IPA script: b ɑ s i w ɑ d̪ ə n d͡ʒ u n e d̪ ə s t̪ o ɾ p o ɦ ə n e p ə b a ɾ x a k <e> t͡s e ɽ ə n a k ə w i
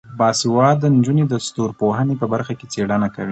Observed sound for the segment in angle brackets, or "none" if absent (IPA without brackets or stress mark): e